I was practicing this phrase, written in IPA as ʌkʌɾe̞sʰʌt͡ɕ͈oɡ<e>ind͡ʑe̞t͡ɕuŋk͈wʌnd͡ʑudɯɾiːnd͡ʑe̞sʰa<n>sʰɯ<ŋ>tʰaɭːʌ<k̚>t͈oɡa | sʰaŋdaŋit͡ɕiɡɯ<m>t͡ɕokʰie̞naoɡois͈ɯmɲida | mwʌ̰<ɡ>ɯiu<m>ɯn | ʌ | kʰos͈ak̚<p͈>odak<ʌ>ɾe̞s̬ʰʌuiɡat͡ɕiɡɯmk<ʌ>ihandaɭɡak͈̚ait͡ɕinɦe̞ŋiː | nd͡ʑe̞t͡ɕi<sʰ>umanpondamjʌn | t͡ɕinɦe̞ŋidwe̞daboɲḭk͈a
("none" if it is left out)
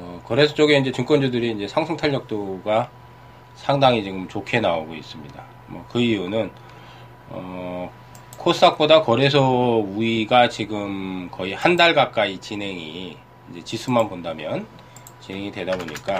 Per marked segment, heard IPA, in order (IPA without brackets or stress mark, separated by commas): e, ŋ, ŋ, k̚, m, k, n, p͈, ʌ, ʌ, sʰ